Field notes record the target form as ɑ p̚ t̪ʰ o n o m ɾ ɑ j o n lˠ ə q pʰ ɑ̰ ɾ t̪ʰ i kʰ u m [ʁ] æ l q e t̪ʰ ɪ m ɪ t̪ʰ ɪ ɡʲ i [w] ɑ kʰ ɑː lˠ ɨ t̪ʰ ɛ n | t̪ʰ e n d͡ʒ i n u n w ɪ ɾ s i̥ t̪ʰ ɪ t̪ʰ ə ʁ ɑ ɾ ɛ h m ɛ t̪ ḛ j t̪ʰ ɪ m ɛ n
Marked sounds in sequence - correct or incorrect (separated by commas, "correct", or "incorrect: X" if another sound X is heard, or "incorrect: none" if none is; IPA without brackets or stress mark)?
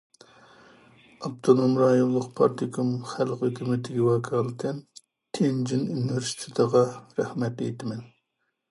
incorrect: χ, correct